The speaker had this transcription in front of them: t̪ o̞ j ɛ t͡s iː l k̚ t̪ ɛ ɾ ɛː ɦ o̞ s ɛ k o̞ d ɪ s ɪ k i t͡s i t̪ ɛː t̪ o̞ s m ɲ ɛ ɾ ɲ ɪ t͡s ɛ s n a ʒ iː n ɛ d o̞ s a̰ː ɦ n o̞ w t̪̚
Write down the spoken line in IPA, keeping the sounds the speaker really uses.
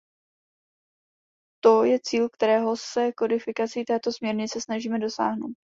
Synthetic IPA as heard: t̪ o̞ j ɛ t͡s iː l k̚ t̪ ɛ ɾ ɛː ɦ o̞ s ɛ k o̞ d ɪ f ɪ k a t͡s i t̪ ɛː t̪ o̞ s m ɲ ɛ ɾ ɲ ɪ t͡s ɛ s n a ʒ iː m ɛ d o̞ s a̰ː ɦ n o̞ w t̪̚

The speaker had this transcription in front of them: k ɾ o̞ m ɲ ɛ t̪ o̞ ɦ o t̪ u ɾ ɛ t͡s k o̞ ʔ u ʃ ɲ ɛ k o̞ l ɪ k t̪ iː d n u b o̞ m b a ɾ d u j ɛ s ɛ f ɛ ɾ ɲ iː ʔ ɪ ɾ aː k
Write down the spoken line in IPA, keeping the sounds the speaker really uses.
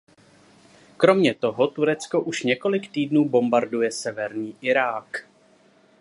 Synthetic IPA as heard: k ɾ o̞ m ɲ ɛ t̪ o̞ ɦ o t̪ u ɾ ɛ t͡s k o̞ ʔ u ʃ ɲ ɛ k o̞ l ɪ k t̪ iː d n uː b o̞ m b a ɾ d u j ɛ s ɛ v ɛ ɾ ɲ iː ʔ ɪ ɾ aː k

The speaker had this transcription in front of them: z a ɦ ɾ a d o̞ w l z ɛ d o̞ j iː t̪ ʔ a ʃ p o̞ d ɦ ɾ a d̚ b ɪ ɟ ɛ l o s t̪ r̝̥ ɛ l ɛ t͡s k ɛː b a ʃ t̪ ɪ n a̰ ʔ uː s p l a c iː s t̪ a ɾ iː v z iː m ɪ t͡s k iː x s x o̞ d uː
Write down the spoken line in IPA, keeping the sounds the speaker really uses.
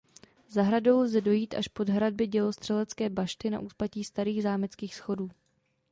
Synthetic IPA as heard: z a ɦ ɾ a d o̞ w l z ɛ d o̞ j iː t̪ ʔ a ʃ p o̞ d ɦ ɾ a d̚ b ɪ ɟ ɛ l o s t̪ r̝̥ ɛ l ɛ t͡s k ɛː b a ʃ t̪ ɪ n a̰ ʔ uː s p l a c iː s t̪ a ɾ iː ɣ z aː m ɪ t͡s k iː x s x o̞ d uː

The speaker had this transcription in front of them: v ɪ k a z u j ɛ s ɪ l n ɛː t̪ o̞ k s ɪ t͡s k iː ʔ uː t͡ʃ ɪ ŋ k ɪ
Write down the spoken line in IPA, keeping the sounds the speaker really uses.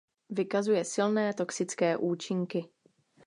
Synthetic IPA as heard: v ɪ k a z u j ɛ s ɪ l n ɛː t̪ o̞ k s ɪ t͡s k ɛː ʔ uː t͡ʃ ɪ ŋ k ɪ

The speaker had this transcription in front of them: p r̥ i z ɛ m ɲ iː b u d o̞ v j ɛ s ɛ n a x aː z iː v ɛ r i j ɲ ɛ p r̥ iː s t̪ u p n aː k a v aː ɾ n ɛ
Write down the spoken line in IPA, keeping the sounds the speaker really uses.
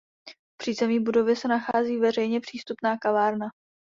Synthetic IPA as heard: p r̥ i z ɛ m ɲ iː b u d o̞ v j ɛ s ɛ n a x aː z iː v ɛ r ɛ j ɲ ɛ p r̥ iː s t̪ u p n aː k a v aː ɾ n a

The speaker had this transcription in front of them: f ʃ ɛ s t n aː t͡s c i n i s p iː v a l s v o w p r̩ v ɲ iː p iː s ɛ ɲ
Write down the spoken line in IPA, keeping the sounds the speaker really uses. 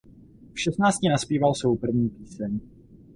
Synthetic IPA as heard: f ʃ ɛ s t n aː t͡s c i n a s p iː v a l s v o w p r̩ v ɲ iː p iː s ɛ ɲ

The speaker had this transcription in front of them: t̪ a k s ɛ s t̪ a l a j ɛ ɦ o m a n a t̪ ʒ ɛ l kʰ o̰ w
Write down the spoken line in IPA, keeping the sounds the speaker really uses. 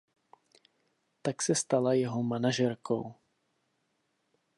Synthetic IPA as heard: t̪ a k s ɛ s t̪ a l a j ɛ ɦ o m a n a ʒ ɛ ɾ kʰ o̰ w

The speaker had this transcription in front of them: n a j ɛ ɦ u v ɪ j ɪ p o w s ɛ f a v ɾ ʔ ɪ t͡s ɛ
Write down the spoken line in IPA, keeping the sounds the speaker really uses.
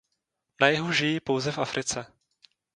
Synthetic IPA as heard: n a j ɛ ɦ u ʒ ɪ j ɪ p o w z ɛ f a f ɾ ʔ ɪ t͡s ɛ

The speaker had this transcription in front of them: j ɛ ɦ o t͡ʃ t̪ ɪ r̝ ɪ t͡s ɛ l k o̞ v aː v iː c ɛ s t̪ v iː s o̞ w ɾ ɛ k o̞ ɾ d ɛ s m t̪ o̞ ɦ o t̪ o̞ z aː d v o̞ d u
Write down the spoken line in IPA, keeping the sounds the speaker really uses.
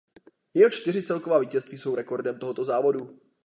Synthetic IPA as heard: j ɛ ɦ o t͡ʃ t̪ ɪ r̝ ɪ t͡s ɛ l k o̞ v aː v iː c ɛ s t̪ v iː s o̞ w ɾ ɛ k o̞ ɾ d ɛ m t̪ o̞ ɦ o t̪ o̞ z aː v o̞ d u

